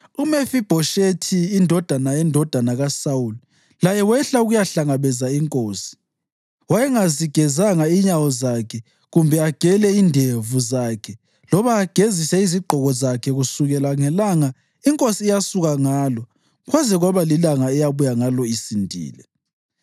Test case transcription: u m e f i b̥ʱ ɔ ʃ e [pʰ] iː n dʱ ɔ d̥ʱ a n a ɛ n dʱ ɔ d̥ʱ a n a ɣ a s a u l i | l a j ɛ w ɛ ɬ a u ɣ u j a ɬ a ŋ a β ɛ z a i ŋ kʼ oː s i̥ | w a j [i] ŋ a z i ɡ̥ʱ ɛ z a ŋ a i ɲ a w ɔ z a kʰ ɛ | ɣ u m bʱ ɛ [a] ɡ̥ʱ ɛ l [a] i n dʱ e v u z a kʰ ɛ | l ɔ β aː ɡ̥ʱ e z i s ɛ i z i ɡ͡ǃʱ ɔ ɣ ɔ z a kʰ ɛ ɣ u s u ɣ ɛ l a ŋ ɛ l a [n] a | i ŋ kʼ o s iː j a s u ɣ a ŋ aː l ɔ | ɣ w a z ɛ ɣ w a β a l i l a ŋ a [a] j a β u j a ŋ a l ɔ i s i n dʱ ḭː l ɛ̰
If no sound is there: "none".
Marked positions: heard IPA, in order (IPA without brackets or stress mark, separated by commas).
tʰ, ɛ, a, ɛ, ŋ, ɛ